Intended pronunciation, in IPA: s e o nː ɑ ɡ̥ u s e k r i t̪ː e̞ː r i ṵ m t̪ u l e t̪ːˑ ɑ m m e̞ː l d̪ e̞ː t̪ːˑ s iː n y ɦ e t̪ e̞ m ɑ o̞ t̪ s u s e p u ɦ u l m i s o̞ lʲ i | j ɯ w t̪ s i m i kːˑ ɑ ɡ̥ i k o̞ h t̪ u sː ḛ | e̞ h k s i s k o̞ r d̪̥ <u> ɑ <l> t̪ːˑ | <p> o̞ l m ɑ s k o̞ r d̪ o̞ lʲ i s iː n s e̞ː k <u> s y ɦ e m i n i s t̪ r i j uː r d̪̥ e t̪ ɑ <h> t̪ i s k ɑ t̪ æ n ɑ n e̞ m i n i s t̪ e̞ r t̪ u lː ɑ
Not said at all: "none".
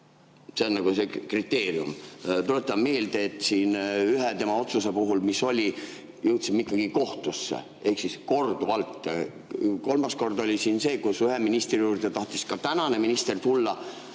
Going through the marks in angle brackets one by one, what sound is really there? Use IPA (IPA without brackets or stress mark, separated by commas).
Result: u, l, k, u, h